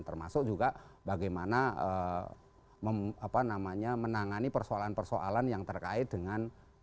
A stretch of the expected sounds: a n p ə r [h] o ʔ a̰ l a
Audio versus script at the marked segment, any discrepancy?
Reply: yes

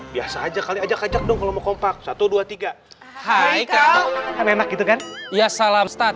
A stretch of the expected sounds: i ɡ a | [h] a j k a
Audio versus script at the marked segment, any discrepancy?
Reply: no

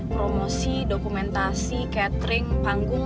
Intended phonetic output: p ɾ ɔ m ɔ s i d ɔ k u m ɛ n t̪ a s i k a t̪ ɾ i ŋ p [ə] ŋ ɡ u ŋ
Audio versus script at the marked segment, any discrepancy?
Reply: yes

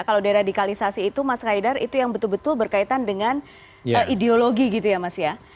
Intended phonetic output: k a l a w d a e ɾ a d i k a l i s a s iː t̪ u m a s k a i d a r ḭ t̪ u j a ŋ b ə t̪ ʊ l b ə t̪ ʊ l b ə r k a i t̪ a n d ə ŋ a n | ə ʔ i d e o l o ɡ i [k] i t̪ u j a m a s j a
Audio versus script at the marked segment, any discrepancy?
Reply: yes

